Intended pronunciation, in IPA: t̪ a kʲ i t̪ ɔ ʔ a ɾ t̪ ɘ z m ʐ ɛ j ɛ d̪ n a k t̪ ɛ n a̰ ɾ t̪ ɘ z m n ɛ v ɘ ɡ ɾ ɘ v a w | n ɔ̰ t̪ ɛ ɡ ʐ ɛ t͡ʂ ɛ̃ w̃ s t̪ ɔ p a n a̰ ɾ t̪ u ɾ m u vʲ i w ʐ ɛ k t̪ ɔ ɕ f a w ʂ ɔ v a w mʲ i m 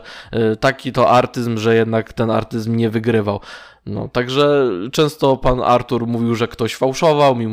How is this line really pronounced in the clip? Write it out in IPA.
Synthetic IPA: t̪ a kʲ i t̪ ɔ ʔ a ɾ t̪ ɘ z m ʐ ɛ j ɛ d̪ n a k t̪ ɛ n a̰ ɾ t̪ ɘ z m ɲ ɛ v ɘ ɡ ɾ ɘ v a w | n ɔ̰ t̪ a ɡ ʐ ɛ t͡ʂ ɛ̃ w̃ s t̪ ɔ p a n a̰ ɾ t̪ u ɾ m u vʲ i w ʐ ɛ k t̪ ɔ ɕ f a w ʂ ɔ v a w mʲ i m